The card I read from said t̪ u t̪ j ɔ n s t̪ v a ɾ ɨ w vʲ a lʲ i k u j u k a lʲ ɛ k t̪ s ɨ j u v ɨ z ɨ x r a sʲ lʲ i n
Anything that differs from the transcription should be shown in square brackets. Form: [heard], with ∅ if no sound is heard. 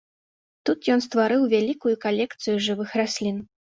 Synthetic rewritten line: t̪ u t̪ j ɔ n s t̪ v a ɾ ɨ w vʲ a lʲ i k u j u k a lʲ ɛ k t̪ s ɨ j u [ʐ] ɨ [v] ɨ x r a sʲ lʲ i n